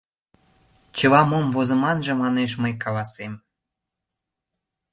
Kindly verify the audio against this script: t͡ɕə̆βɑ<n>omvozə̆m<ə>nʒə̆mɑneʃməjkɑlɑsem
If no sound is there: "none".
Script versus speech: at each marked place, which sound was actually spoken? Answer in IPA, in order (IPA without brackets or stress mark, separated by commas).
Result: m, ɑ